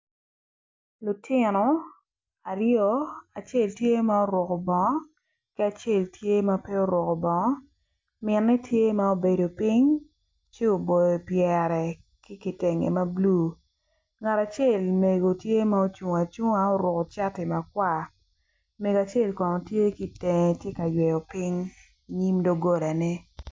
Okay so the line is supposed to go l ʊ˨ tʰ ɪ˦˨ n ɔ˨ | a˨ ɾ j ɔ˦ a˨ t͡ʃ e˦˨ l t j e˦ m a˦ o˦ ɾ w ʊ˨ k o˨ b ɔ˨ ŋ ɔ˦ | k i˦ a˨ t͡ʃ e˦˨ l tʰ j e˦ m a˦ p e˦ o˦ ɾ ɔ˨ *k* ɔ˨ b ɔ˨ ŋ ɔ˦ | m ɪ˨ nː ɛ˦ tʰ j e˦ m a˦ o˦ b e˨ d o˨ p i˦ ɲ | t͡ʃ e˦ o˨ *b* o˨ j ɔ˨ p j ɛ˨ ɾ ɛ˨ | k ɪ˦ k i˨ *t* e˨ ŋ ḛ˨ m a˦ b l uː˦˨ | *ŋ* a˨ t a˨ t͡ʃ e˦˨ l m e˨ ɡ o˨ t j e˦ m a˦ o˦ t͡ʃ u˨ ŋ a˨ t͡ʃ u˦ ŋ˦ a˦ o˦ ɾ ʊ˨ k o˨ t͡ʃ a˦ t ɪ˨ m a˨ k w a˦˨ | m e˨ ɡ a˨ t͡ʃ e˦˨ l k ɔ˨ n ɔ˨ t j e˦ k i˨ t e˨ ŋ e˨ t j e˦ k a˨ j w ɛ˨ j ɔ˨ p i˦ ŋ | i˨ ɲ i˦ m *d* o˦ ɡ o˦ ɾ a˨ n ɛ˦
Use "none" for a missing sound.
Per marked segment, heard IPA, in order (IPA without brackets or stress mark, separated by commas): k, b, t, ŋ, d